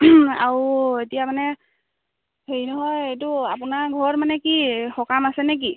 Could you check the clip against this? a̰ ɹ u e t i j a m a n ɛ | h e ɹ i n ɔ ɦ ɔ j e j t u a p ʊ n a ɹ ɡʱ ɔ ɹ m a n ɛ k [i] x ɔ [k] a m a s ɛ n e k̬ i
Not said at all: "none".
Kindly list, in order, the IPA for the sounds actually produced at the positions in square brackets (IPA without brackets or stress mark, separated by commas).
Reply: i, k